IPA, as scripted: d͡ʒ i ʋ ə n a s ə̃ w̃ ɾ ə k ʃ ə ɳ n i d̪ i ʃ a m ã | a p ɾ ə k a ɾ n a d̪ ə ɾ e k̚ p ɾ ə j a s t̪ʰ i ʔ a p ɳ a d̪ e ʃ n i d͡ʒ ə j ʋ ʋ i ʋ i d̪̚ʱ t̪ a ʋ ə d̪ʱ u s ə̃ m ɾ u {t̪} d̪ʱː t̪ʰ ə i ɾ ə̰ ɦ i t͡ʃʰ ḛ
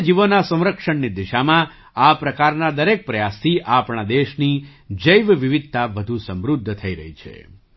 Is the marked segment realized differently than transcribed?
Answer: yes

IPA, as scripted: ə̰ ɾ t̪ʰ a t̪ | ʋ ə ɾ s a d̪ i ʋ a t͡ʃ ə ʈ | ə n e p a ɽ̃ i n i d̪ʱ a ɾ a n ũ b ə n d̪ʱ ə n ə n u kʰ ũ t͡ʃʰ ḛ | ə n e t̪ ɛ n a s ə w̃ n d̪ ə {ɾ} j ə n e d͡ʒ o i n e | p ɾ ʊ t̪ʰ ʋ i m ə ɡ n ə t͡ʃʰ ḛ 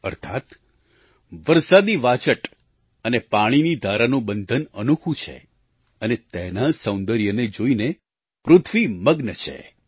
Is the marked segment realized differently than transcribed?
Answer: no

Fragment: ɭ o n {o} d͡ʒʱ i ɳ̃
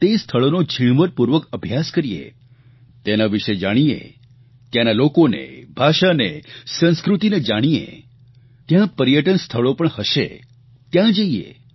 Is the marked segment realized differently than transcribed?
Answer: no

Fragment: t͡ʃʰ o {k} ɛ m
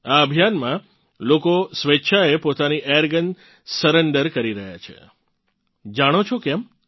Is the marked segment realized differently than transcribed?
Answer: no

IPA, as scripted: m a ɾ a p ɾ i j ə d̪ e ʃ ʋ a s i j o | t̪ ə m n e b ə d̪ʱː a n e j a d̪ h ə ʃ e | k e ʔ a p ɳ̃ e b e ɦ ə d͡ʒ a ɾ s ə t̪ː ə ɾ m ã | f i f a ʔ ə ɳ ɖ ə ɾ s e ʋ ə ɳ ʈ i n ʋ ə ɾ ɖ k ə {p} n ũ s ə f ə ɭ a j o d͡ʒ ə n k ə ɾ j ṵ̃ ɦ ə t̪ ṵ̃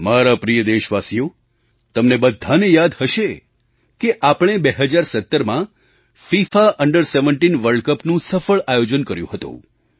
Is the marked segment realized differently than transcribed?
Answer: no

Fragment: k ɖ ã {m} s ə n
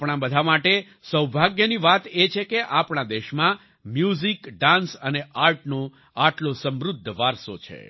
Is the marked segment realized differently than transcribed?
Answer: yes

